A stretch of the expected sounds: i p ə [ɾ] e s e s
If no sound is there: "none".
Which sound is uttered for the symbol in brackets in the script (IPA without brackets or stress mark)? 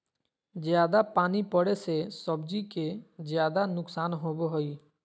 ɽ